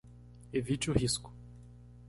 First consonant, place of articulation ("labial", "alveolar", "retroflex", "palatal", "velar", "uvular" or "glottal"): labial